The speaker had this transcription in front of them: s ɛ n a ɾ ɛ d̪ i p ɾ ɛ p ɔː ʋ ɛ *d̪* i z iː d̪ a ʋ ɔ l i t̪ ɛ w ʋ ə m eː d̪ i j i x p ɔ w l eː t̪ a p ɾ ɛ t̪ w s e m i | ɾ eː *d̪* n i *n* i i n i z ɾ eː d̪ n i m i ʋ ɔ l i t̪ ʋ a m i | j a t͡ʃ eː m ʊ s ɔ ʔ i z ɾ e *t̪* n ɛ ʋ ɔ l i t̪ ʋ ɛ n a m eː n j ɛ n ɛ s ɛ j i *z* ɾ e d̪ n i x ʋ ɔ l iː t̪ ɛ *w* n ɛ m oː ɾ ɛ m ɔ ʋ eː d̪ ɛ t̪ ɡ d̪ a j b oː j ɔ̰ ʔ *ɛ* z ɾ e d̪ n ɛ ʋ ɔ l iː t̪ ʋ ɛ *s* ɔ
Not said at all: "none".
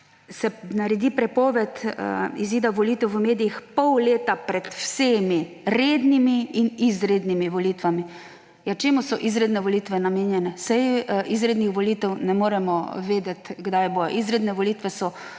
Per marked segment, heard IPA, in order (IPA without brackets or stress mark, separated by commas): t̪, d̪, m, d̪, z, w, i, s